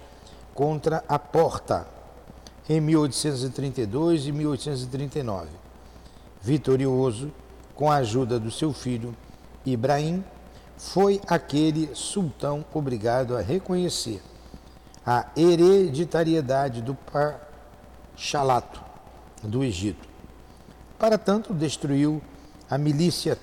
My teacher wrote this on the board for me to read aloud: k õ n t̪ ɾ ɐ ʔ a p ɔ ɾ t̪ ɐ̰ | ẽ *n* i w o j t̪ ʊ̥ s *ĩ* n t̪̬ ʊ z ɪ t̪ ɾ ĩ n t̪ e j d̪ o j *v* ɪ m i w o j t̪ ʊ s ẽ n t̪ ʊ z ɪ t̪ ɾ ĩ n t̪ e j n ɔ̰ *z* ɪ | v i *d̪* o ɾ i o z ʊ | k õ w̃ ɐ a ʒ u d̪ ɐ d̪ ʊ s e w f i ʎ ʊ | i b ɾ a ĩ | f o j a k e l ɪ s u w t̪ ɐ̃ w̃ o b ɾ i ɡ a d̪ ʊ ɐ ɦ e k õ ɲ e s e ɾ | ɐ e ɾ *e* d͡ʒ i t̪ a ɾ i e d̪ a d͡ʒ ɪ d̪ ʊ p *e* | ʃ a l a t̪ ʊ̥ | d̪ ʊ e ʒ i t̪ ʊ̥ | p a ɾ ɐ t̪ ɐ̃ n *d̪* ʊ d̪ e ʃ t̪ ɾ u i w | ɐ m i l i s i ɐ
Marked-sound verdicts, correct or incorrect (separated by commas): incorrect, incorrect, incorrect, incorrect, incorrect, correct, incorrect, incorrect